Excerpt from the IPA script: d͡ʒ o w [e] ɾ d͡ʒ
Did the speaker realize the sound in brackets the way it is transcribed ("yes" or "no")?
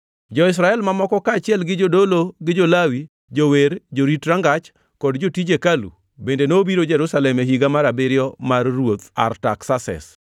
yes